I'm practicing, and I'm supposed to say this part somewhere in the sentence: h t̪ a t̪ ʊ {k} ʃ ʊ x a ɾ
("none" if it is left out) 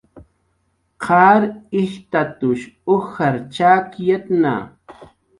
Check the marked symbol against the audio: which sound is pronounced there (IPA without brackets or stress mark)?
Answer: none